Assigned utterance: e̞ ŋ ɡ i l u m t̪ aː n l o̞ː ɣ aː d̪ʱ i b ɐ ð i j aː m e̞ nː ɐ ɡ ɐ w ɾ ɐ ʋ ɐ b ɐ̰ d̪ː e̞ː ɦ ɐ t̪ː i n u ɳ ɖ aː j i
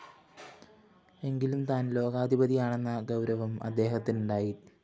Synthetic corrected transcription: e̞ ŋ ɡ i l u m t̪ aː n l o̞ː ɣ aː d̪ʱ i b ɐ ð i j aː ɳ e̞ nː ɐ ɡ ɐ w ɾ ɐ ʋ ɐ m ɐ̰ d̪ː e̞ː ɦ ɐ t̪ː i n u ɳ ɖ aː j i